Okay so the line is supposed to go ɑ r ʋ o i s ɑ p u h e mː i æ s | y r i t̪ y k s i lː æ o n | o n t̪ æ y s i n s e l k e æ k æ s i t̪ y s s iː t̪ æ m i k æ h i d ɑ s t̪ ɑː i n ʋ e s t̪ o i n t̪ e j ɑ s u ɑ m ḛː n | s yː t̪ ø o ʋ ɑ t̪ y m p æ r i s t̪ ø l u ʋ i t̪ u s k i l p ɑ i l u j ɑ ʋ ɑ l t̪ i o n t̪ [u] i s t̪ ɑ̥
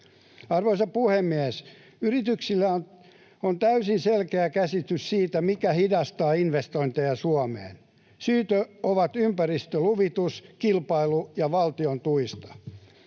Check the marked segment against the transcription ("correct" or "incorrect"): correct